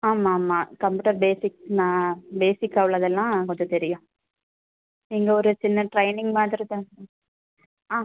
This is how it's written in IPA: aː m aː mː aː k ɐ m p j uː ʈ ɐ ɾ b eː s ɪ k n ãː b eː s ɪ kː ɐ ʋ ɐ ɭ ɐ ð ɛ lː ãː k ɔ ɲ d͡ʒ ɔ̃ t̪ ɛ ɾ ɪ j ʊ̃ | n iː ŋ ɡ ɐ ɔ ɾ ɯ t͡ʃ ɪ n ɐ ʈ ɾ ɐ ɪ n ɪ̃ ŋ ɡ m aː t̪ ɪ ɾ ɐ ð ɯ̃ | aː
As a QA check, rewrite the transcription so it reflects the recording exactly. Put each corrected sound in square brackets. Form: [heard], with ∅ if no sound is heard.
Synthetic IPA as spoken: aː m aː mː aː k ɐ m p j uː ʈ ɐ ɾ b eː s ɪ k n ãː b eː s ɪ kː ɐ ʋ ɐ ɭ ɐ ð ɛ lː ãː k ɔ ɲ d͡ʒ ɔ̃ t̪ ɛ ɾ ɪ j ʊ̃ | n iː ŋ ɡ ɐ ɔ ɾ ɯ t͡ʃ ɪ [nː] ɐ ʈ ɾ ɐ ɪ n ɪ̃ ŋ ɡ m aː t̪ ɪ ɾ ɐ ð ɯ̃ | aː